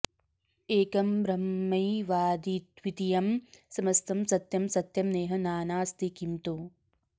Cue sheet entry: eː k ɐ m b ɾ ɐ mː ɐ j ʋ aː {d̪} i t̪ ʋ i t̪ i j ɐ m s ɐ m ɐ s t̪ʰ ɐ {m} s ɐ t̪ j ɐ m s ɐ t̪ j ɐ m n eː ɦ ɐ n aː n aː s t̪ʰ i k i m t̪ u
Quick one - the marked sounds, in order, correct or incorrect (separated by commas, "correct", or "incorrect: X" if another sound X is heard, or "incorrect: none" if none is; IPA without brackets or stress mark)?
correct, correct